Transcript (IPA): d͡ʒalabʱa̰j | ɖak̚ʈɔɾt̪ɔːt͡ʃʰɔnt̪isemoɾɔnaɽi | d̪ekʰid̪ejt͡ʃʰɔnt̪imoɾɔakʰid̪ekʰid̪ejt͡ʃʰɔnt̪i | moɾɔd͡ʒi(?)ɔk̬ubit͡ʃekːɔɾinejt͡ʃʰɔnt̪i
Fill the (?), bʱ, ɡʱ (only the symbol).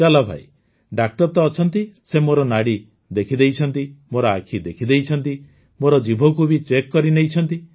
bʱ